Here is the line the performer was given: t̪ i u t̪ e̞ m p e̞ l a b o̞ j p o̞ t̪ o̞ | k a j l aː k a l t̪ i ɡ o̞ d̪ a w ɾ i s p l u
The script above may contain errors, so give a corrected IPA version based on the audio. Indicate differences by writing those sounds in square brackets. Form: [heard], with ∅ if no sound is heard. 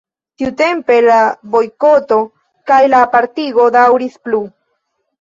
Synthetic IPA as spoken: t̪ i u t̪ e̞ m p e̞ l a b o̞ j [k] o̞ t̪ o̞ | k a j l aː [p] a [ɾ] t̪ i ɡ o̞ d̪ a w ɾ i s p l u